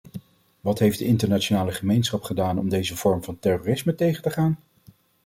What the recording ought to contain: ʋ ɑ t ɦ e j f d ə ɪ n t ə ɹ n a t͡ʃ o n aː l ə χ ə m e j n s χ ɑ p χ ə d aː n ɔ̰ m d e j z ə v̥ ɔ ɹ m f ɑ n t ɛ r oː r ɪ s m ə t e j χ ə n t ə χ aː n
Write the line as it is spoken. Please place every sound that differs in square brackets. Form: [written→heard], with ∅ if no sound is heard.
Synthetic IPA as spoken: ʋ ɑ t ɦ e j f d ə ɪ n t ə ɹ n a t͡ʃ o n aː l ə χ ə m e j n s χ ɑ p χ ə d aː n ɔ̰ m d e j z ə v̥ ɔ ɹ m [f→v] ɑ n t ɛ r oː r ɪ s m ə t e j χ ə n t ə χ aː n